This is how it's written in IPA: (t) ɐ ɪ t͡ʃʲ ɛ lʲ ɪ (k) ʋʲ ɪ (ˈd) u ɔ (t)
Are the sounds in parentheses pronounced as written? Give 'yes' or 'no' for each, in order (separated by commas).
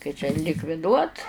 no, yes, yes, yes